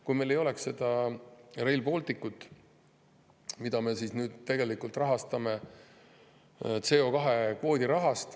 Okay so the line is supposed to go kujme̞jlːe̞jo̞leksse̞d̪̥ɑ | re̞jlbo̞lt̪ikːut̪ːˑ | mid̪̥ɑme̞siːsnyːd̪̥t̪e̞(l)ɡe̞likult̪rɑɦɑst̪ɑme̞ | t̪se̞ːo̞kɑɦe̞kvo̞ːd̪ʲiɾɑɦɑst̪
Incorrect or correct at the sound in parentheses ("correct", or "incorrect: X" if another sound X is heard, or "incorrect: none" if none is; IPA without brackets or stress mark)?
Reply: incorrect: none